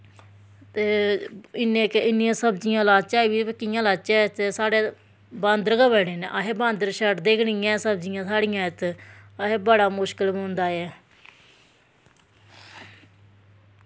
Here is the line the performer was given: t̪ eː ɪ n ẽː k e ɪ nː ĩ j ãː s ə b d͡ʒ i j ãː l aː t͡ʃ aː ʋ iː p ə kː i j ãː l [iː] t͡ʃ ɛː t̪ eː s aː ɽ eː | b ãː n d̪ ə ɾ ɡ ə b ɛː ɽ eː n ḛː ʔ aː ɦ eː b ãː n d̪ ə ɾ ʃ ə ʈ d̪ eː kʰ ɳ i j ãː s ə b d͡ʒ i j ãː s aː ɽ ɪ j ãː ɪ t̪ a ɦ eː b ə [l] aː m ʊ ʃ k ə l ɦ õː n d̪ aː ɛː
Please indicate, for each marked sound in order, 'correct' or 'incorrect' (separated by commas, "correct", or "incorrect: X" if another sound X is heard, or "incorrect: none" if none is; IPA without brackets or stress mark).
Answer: incorrect: aː, incorrect: ɽ